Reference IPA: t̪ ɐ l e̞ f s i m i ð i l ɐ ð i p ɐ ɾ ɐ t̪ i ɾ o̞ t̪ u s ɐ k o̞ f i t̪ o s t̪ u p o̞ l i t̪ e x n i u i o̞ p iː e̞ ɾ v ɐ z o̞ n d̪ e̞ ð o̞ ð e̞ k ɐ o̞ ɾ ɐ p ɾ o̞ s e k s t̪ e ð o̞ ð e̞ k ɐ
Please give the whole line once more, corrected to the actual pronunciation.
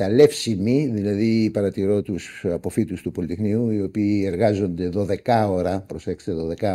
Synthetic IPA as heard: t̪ ɐ l e̞ f s i m i ð i l ɐ ð i p ɐ ɾ ɐ t̪ i ɾ o̞ t̪ u s ɐ p o̞ f i t̪ u s t̪ u p o̞ l i t̪ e x n i u i o̞ p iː e̞ ɾ ɣ ɐ z o̞ n d̪ e̞ ð o̞ ð e̞ k ɐ o̞ ɾ ɐ p ɾ o̞ s e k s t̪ e ð o̞ ð e̞ k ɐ